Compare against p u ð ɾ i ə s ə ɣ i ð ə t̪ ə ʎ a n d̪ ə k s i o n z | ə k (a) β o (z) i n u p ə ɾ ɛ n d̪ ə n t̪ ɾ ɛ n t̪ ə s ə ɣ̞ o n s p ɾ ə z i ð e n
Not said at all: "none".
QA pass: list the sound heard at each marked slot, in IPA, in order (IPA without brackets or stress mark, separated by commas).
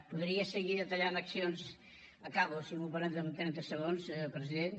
a, s